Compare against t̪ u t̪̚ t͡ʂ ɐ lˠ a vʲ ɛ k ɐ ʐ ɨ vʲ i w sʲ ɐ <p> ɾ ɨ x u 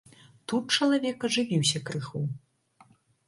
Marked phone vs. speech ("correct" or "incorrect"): incorrect